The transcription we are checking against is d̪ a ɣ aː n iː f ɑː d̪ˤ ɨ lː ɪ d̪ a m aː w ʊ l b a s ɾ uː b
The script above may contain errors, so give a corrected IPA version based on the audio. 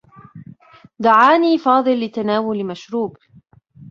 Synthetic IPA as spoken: d̪ a ʕ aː n iː f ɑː d̪ˤ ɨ lː ɪ t̪ a n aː w ʊ l m a ʃ ɾ uː b